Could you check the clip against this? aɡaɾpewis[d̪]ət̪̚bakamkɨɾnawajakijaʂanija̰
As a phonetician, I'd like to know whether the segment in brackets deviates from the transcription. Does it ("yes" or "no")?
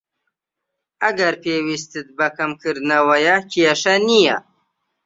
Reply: yes